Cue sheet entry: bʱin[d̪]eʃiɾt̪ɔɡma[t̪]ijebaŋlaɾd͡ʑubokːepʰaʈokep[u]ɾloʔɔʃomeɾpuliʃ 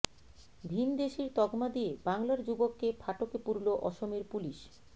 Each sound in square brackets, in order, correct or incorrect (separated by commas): correct, incorrect, correct